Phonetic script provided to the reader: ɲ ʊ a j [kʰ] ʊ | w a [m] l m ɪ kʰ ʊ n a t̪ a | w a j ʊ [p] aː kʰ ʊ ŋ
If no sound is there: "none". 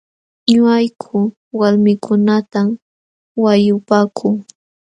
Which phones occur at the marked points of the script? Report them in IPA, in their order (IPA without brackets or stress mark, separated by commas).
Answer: kʰ, none, p